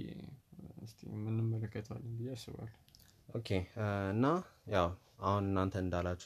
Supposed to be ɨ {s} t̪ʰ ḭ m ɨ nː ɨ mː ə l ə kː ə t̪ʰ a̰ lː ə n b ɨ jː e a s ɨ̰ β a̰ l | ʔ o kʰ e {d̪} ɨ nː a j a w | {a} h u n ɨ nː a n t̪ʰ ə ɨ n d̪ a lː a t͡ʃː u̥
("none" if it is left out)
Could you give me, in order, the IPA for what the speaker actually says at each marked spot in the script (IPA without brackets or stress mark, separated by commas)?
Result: s, none, a